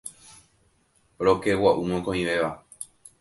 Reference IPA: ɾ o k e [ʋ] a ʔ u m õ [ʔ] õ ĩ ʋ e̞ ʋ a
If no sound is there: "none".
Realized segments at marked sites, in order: w, k

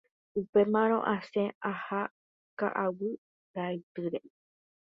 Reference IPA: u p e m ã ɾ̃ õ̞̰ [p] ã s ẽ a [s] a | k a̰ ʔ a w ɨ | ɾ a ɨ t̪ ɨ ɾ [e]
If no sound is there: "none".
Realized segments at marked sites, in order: ʔ, h, e

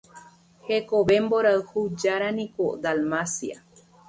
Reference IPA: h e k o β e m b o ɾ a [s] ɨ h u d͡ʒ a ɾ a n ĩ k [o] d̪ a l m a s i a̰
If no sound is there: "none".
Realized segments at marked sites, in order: none, o

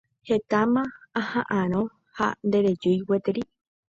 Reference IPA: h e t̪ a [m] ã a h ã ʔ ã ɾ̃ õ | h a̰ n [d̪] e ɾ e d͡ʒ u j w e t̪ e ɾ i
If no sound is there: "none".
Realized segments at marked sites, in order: m, d̪

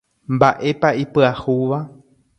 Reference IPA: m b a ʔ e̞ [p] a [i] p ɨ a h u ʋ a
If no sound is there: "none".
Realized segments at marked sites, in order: p, i

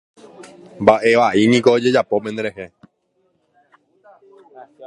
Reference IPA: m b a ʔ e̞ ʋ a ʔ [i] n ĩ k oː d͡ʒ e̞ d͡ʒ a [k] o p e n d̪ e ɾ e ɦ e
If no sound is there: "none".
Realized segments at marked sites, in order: i, p

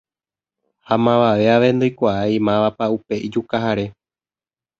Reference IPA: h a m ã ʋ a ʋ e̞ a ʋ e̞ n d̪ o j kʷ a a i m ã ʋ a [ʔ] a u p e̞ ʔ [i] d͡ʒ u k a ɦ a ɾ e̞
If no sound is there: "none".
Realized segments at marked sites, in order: p, i

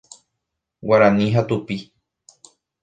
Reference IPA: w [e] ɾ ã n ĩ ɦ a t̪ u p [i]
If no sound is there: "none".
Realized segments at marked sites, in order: a, i

